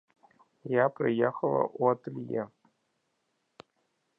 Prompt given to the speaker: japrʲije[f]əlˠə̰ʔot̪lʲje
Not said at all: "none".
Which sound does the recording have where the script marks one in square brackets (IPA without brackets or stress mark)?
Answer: x